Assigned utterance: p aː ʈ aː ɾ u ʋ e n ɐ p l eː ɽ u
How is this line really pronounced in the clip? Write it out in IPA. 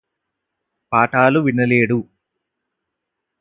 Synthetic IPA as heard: p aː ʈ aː l u ʋ i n ɐ l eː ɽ u